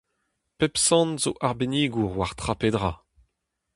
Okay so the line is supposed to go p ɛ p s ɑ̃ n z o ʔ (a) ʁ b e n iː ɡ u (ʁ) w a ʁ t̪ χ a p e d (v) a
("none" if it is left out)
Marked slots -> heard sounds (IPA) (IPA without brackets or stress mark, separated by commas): a, ʁ, ʁ